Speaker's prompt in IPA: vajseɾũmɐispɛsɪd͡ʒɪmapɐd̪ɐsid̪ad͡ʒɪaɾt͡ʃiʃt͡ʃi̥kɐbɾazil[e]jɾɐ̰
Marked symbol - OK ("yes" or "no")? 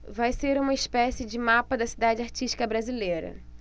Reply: yes